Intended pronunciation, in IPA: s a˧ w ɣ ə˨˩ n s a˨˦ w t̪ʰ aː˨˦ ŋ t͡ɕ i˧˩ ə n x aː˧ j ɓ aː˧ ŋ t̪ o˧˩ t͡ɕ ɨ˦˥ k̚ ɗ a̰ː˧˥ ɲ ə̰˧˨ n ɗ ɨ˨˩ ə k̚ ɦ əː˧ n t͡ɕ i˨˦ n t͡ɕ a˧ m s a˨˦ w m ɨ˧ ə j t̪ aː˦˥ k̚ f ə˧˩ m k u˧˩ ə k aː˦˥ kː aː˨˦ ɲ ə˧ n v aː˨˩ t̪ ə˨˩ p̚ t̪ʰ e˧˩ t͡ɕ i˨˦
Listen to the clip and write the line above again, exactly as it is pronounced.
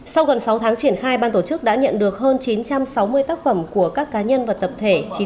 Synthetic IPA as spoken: s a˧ w ɣ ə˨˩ n s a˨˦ w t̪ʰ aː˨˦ ŋ t͡ɕ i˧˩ ə n x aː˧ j ɓ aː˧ n t̪ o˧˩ t͡ɕ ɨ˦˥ k̚ ɗ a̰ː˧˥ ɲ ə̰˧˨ n ɗ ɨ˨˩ ə k̚ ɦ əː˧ n t͡ɕ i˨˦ n t͡ɕ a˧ m s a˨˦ w m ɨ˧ ə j t̪ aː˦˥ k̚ f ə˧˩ m k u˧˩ ə k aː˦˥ kː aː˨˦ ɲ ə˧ n v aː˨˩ t̪ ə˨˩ p̚ t̪ʰ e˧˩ t͡ɕ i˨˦